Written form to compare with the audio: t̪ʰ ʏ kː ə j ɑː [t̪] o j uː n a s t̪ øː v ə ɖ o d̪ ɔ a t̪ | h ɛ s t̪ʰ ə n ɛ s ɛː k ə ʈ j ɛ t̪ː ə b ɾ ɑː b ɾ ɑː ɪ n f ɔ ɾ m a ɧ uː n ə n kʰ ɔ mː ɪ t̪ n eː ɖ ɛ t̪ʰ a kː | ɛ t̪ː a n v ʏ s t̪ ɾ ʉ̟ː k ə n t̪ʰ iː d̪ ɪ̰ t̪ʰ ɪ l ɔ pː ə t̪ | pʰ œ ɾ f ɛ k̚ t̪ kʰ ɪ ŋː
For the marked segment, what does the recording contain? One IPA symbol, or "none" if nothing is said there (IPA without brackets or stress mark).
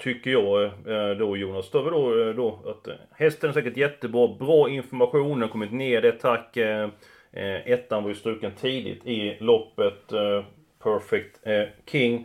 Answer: d̪